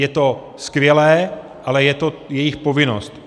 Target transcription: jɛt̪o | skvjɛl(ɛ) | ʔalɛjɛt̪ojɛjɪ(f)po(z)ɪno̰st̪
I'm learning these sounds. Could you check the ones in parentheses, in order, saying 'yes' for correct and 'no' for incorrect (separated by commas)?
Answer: no, no, no